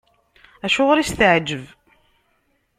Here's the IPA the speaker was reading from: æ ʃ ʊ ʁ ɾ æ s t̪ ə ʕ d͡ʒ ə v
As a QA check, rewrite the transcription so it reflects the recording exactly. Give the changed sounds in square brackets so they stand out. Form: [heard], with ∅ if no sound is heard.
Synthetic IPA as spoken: æ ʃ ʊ ʁ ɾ [i] s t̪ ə ʕ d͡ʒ ə v